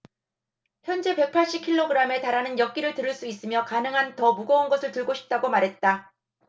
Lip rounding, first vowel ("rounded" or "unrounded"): unrounded